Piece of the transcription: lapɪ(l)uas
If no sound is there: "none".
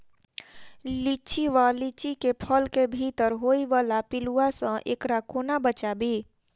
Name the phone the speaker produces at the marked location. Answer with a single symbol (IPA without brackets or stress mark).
l